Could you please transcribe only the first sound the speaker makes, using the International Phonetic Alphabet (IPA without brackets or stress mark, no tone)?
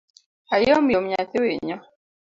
a